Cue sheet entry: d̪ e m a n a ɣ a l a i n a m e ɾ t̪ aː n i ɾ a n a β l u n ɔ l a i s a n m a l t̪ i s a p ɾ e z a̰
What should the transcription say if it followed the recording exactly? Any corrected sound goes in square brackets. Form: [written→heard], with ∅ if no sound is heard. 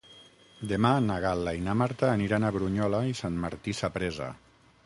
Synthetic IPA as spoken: d̪ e m a n a ɣ a l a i n a m [e→a] ɾ t̪ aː n i ɾ a n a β [l→ɾ] u [n→ɲ] ɔ l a i s a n m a [l→ɾ] t̪ i s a p ɾ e z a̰